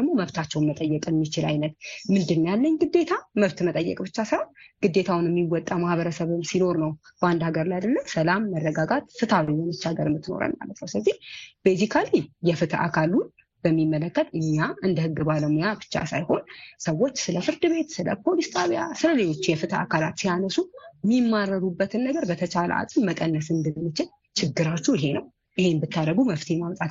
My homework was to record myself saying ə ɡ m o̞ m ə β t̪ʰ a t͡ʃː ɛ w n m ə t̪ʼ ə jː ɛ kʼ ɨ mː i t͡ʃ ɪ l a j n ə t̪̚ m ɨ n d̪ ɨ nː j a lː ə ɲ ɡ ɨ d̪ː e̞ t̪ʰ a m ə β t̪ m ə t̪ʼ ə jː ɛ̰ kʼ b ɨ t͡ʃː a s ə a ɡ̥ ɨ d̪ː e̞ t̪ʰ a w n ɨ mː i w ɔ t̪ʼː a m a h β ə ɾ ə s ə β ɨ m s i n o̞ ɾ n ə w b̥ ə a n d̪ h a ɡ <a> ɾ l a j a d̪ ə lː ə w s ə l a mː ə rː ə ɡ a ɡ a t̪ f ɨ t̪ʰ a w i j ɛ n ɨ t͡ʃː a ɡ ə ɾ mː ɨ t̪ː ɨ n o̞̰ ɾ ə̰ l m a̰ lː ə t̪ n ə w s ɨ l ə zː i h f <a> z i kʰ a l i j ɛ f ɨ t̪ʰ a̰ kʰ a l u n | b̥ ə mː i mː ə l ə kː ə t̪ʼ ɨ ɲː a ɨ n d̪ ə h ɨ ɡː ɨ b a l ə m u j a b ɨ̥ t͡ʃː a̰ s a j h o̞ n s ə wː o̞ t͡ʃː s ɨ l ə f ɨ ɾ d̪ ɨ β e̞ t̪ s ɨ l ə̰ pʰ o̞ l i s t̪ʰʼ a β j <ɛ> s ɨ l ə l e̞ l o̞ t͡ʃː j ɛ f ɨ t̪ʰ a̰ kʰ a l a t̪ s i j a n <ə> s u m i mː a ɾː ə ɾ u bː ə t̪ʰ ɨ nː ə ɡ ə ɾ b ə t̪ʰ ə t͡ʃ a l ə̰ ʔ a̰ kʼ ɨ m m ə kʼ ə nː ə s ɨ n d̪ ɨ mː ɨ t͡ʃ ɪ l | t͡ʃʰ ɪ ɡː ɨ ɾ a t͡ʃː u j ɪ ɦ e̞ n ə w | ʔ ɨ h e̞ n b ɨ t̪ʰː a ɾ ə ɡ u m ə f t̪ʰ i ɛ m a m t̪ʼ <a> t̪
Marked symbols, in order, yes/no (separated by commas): no, no, no, yes, yes